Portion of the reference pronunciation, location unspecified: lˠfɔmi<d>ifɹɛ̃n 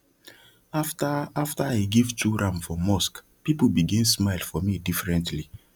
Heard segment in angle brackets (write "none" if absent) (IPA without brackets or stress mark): d